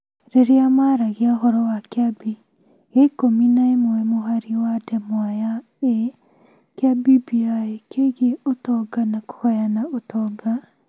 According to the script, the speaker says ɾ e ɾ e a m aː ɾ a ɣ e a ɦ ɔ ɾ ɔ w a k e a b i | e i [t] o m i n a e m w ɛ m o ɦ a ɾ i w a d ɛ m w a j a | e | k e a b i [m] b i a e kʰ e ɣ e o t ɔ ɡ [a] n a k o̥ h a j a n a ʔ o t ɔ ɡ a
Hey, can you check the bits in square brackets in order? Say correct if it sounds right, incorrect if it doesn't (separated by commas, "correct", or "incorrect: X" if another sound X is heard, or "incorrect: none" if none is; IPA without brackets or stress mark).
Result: incorrect: k, incorrect: none, correct